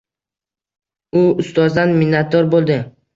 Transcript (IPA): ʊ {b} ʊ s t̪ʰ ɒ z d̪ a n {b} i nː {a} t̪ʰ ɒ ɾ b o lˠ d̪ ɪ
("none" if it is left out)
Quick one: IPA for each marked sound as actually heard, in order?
none, m, a

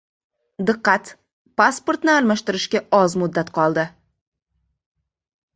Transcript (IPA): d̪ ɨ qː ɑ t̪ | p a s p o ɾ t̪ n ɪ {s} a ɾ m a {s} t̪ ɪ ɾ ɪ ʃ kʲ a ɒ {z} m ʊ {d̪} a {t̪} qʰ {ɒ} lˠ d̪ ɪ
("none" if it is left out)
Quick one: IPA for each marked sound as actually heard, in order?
none, ʃ, z, d̪ː, t̪, ɒ

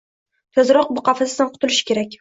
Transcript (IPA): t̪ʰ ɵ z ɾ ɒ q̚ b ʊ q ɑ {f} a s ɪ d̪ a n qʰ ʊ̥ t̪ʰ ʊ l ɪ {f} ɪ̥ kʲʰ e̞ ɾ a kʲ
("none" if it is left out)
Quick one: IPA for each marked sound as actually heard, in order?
f, ʃ

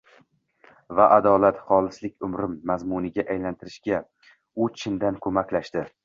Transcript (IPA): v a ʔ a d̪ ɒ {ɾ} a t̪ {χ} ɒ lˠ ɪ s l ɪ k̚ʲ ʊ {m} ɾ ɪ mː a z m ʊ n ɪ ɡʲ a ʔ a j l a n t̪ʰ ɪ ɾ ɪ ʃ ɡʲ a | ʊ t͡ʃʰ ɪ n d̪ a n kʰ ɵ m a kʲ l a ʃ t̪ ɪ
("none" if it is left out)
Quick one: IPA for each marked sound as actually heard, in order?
l, χ, m

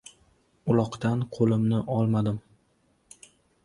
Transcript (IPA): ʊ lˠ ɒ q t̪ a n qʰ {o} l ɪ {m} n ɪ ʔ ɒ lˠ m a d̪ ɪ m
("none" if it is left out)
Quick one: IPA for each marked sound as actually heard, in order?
o, m

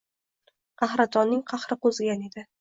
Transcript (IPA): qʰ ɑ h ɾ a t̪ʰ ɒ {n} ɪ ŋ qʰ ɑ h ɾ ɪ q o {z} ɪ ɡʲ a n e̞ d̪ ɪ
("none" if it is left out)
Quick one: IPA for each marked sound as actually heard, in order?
nː, z

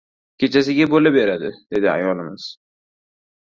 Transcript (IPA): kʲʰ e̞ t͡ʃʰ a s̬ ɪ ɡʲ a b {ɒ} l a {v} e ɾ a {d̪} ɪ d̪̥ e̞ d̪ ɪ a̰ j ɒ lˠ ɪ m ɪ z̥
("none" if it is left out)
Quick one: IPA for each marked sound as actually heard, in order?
o, b, d̪

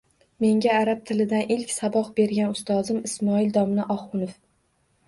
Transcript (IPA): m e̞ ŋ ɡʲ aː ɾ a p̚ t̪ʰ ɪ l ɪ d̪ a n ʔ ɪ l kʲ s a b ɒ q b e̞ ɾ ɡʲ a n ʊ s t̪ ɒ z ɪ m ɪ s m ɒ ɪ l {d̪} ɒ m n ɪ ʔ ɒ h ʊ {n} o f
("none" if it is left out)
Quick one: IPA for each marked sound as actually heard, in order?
d̪, n

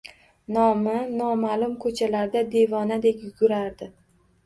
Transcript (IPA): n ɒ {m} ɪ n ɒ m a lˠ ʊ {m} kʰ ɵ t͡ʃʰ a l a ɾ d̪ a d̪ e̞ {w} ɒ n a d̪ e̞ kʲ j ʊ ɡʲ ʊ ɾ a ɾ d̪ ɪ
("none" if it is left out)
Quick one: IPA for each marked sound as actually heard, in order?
m, m, v

